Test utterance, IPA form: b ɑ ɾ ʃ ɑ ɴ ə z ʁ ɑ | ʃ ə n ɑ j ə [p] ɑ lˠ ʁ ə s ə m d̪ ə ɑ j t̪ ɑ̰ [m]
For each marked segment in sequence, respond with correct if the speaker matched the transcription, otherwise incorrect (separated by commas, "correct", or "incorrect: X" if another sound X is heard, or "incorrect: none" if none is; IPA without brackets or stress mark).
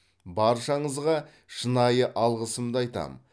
incorrect: ʔ, correct